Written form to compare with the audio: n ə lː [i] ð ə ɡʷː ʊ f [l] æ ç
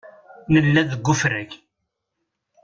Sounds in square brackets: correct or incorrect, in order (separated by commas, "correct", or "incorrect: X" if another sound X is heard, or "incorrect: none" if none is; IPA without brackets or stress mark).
incorrect: æ, incorrect: ɾ